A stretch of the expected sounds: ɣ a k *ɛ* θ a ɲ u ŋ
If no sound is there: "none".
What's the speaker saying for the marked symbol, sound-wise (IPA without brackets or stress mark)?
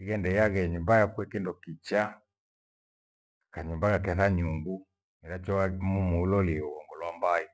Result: ɛ